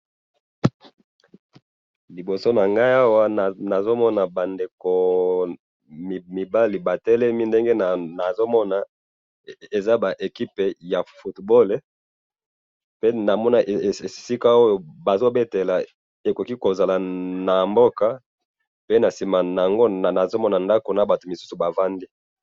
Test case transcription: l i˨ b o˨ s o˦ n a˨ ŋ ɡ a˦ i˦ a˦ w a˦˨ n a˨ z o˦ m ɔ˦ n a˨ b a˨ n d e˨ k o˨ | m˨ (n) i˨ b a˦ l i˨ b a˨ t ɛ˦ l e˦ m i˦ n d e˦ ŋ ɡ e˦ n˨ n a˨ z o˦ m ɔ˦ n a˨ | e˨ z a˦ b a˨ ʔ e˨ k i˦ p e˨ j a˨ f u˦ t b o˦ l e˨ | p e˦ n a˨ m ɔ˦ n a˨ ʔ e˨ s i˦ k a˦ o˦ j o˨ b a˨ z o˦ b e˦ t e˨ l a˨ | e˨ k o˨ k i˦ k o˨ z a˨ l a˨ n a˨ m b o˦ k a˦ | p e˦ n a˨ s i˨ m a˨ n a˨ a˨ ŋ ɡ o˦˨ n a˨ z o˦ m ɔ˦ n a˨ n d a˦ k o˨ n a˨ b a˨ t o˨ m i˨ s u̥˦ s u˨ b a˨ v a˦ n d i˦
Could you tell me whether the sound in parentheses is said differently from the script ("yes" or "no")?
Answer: yes